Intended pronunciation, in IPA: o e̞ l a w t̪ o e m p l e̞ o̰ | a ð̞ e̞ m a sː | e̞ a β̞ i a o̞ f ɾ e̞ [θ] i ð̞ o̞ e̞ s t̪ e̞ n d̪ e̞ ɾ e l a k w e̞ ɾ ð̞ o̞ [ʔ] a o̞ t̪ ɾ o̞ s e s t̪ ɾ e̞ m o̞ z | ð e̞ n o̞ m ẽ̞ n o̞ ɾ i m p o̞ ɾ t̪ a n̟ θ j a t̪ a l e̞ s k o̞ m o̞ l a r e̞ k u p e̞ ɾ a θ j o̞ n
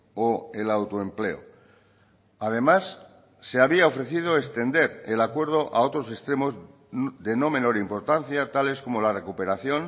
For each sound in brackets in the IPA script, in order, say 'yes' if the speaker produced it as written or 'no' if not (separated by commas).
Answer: yes, yes